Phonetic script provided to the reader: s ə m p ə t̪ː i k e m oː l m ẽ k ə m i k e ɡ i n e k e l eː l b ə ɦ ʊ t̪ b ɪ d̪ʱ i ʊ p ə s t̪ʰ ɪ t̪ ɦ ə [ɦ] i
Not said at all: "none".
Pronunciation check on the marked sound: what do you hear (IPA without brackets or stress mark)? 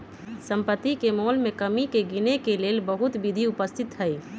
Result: none